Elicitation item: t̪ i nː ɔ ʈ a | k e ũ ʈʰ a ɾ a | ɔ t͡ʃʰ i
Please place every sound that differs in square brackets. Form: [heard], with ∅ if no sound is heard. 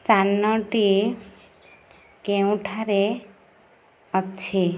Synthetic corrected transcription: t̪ [a] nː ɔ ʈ [i] | k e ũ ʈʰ a ɾ [e] | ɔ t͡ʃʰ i